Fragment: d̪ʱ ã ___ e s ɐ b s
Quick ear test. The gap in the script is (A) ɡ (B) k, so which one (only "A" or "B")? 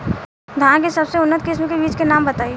B